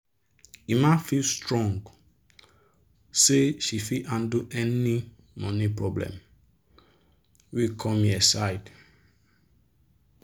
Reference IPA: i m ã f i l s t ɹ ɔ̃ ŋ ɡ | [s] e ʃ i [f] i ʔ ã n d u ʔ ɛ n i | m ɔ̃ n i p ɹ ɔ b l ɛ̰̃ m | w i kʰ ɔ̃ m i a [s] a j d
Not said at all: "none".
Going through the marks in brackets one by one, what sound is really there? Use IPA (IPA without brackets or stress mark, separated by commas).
s, f, s